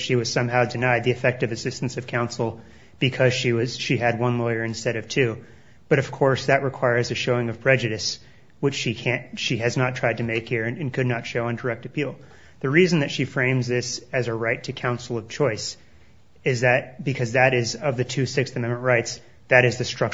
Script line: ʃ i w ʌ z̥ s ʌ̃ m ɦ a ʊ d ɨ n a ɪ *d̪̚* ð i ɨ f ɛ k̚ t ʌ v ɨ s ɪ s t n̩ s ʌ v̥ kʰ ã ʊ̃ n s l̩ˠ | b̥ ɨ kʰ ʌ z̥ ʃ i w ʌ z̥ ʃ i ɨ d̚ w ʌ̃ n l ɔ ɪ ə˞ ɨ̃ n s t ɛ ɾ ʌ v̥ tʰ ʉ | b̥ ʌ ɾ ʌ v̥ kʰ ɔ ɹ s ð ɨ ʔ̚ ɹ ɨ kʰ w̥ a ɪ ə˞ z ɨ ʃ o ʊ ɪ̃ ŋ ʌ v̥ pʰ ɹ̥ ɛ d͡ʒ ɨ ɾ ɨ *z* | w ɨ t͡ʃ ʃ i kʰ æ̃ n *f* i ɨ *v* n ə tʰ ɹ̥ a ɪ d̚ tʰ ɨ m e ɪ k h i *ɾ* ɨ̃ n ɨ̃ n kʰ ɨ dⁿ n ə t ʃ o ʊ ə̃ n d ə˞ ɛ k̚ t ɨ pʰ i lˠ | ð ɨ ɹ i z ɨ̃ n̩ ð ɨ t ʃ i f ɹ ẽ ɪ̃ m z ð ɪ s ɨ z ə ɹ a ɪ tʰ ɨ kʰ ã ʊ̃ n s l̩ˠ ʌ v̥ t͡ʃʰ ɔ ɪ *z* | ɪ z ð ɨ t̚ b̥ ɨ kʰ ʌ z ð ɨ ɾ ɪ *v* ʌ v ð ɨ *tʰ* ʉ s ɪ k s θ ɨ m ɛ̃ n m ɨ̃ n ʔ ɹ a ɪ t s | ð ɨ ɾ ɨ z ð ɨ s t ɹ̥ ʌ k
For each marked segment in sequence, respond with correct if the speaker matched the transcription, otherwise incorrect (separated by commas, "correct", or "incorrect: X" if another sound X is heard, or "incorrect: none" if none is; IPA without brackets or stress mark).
correct, incorrect: s, incorrect: ʃ, incorrect: z, incorrect: ɹ, incorrect: s, incorrect: z, correct